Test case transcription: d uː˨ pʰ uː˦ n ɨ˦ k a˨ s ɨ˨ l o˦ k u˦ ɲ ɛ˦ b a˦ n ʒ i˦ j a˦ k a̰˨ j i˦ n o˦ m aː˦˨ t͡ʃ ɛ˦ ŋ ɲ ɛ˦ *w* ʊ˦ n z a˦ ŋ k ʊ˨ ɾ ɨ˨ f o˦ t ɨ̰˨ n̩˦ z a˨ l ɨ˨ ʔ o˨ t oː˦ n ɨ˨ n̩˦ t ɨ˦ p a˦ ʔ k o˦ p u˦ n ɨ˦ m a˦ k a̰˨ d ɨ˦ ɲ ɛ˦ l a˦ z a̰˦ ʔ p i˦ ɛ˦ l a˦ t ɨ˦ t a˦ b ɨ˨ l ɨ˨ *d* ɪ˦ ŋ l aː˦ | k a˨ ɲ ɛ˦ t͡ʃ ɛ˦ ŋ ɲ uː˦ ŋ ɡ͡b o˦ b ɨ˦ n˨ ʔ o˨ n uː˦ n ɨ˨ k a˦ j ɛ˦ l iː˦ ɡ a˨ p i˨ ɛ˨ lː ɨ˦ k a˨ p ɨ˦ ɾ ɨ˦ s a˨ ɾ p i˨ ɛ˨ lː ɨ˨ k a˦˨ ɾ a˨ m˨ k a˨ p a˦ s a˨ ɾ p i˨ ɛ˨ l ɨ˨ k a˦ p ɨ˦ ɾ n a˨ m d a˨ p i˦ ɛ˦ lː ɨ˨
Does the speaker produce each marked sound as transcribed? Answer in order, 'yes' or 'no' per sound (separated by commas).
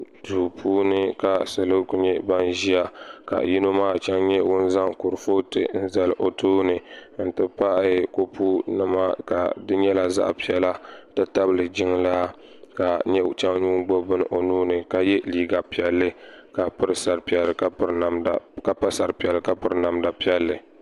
yes, no